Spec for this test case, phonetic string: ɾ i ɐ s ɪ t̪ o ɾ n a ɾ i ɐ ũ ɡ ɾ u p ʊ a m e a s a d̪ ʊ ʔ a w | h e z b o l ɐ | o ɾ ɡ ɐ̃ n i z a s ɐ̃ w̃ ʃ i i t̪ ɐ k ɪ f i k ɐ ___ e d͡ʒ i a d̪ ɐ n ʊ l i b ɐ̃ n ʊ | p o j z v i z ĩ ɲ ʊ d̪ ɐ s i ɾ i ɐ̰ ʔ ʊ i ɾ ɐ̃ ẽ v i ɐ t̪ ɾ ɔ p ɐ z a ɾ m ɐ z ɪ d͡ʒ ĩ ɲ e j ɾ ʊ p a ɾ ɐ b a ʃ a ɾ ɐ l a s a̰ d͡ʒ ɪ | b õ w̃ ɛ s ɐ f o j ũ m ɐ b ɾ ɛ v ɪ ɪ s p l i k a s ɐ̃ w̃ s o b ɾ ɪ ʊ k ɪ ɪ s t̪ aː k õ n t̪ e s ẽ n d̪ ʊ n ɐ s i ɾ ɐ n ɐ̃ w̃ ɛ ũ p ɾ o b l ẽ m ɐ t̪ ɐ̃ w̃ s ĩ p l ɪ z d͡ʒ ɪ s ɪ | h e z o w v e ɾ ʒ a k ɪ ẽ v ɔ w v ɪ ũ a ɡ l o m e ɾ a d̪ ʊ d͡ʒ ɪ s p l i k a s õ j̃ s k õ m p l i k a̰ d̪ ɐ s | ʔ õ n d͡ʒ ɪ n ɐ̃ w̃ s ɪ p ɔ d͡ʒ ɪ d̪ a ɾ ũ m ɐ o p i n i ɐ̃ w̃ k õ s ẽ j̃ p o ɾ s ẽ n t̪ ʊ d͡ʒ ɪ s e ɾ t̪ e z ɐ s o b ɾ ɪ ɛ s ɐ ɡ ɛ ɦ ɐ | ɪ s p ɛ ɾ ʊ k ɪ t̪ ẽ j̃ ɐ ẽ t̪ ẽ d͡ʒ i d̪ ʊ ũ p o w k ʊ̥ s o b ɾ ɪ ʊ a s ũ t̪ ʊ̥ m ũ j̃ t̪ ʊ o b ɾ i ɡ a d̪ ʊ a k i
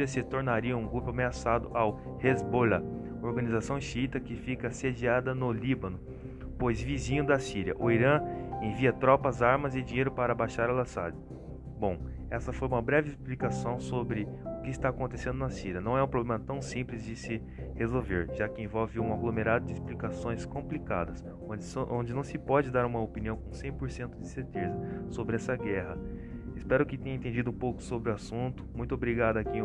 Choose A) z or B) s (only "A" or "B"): B